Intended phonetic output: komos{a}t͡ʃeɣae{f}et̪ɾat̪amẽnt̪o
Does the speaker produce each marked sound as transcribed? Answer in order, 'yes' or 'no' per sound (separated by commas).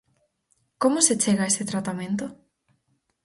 no, no